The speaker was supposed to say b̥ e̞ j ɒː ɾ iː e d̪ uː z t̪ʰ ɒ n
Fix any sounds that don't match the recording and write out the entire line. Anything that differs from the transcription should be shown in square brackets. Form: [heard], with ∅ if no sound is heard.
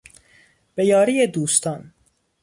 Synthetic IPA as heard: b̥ e̞ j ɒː ɾ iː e d̪ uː [s] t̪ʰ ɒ n